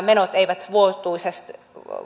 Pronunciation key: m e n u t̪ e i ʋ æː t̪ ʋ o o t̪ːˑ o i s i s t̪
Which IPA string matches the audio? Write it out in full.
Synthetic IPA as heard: m e n o t̪ e i ʋ æ t̪ ʋ u o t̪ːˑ u i s e s t̪